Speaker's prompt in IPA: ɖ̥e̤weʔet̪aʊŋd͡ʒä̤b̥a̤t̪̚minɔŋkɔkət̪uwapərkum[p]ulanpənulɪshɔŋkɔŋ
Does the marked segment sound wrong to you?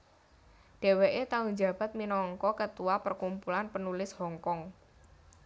no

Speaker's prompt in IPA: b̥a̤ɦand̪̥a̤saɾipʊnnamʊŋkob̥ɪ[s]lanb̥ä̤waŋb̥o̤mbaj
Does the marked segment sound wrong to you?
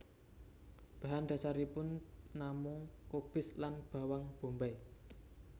no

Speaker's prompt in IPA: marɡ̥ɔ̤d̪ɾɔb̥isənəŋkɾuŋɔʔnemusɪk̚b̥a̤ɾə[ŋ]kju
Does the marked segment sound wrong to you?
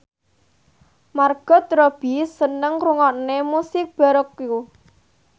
yes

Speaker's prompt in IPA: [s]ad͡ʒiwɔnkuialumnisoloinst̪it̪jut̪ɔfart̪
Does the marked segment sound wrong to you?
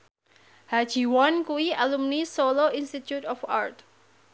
yes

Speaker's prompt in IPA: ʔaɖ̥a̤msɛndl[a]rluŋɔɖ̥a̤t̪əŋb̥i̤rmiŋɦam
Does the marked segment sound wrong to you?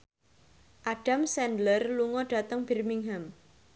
yes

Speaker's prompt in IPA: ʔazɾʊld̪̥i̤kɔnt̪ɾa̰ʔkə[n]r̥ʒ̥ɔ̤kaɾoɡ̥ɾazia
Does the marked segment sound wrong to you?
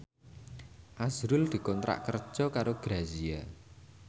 yes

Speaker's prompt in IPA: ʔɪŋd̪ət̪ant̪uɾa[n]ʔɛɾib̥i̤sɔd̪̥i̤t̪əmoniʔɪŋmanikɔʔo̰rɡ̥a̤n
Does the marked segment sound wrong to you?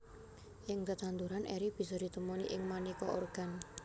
no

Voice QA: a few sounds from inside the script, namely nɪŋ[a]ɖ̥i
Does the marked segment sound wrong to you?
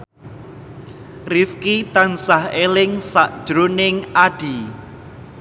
no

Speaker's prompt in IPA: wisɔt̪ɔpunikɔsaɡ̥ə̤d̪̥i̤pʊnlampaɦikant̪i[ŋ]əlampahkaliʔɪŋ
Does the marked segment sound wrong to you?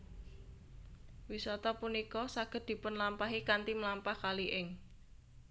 yes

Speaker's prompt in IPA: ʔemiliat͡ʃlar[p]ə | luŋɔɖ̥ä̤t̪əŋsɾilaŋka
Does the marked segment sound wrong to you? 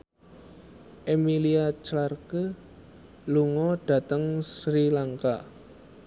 yes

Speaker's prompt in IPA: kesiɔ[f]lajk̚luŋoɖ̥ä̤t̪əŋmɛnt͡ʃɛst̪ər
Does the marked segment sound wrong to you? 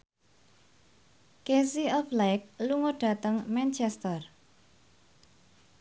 no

